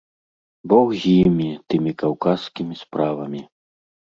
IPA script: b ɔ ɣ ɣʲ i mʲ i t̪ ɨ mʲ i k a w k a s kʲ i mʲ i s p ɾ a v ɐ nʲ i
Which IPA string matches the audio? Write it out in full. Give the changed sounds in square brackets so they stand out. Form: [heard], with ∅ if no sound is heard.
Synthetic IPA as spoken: b ɔ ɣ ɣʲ i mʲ i t̪ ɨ mʲ i k a w k a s kʲ i mʲ i s p ɾ a v ɐ [mʲ] i